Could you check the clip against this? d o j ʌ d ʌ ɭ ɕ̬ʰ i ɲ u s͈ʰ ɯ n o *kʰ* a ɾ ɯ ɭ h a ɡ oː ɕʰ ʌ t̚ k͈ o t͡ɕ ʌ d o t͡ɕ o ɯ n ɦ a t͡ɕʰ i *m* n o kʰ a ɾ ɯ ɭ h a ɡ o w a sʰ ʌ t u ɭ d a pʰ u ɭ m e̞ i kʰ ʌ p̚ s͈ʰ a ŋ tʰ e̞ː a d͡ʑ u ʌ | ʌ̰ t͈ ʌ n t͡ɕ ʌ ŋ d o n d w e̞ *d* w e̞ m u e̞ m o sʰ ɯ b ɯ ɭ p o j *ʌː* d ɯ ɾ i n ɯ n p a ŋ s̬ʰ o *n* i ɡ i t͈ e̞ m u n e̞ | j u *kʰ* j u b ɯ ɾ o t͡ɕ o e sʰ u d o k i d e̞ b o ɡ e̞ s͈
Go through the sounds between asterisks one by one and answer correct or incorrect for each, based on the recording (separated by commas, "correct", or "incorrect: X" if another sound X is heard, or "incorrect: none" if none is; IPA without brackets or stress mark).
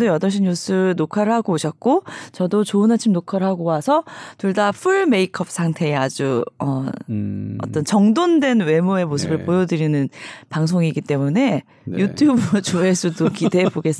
correct, correct, incorrect: n, incorrect: ʌ, incorrect: ŋ, incorrect: tʰ